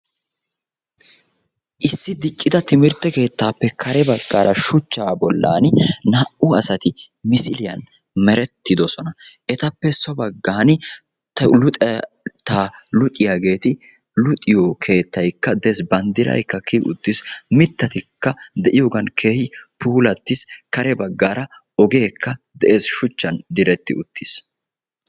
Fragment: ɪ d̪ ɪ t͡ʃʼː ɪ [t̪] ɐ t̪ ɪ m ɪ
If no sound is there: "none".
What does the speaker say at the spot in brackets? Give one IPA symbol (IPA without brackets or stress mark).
d̪